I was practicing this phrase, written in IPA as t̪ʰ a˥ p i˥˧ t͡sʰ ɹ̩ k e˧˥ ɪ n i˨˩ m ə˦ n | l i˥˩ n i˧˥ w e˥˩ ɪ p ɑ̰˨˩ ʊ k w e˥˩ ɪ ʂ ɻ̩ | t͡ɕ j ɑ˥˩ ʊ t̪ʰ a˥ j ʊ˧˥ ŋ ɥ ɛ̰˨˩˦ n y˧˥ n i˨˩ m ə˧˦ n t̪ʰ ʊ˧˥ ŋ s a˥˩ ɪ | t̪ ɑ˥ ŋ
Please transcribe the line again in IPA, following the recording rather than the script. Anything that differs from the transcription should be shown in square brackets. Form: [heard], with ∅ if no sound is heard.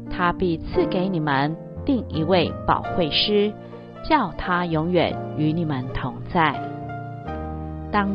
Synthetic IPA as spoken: t̪ʰ a˥ p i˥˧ t͡sʰ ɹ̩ k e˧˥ ɪ n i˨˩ m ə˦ n | l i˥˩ [ŋ] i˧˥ w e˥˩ ɪ p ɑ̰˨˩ ʊ [x] w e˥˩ ɪ ʂ ɻ̩ | t͡ɕ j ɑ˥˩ ʊ t̪ʰ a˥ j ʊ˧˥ ŋ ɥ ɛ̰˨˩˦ n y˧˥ n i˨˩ m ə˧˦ n t̪ʰ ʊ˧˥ ŋ [t͡s] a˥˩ ɪ | t̪ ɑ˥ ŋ